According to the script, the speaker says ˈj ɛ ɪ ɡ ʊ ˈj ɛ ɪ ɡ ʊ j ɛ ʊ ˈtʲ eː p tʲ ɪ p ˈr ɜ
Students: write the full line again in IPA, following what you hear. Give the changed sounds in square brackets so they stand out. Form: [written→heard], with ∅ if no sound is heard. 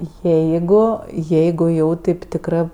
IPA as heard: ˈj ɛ ɪ ɡ ʊ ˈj ɛ ɪ ɡ ʊ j ɛ ʊ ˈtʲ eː p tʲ ɪ [p→k] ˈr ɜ